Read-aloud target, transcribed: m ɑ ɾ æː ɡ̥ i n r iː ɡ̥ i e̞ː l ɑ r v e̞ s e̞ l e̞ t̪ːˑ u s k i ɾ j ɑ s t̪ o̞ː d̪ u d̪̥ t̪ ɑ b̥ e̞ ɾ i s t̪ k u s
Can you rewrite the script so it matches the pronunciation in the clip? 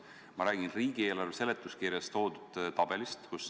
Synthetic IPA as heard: m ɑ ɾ æː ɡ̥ i n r iː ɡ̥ i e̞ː l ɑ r v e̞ s e̞ l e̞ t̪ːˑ u s k i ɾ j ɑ s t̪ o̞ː d̪ u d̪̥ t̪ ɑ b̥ e̞ l i s t̪ k u s